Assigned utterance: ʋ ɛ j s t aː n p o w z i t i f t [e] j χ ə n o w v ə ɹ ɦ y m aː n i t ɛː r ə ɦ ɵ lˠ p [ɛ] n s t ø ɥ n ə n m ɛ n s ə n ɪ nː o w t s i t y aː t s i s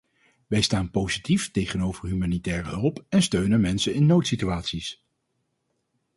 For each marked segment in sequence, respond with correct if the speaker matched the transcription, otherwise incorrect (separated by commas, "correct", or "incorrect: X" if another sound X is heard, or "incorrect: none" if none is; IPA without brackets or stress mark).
correct, correct